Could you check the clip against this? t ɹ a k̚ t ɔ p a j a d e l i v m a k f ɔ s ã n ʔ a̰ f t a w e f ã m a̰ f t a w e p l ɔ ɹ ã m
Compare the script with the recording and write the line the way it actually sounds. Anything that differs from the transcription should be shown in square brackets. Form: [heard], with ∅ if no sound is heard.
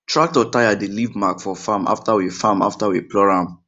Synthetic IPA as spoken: t ɹ a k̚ t ɔ [t] a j a d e l i v m a k f ɔ [f] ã [m] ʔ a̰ f t a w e f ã m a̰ f t a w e p l ɔ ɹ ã m